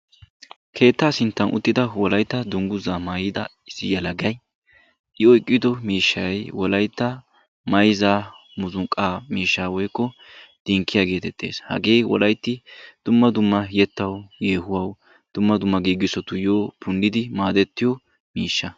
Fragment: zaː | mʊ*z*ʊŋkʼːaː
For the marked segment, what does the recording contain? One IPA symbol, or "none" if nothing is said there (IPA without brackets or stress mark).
z